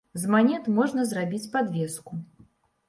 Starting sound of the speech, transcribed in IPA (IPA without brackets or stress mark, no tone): z